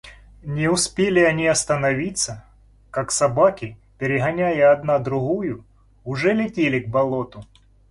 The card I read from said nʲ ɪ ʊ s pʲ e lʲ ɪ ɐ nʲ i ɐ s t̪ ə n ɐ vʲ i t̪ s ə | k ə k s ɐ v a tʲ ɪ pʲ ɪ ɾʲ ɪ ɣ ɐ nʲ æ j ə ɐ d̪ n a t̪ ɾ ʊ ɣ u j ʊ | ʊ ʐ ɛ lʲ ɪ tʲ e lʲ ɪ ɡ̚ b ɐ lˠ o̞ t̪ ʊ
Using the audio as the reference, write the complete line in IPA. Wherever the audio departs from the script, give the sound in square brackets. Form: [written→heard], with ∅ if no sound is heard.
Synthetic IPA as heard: nʲ ɪ ʊ s pʲ e lʲ ɪ ɐ nʲ i ɐ s t̪ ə n ɐ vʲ i t̪ s ə | k [ə→a] k s ɐ [v→b] a [tʲ→kʲ] ɪ pʲ ɪ ɾʲ ɪ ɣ ɐ nʲ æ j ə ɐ d̪ n a [t̪→d̪] ɾ ʊ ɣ u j ʊ | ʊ ʐ ɛ lʲ ɪ tʲ e lʲ ɪ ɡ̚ b ɐ lˠ o̞ t̪ ʊ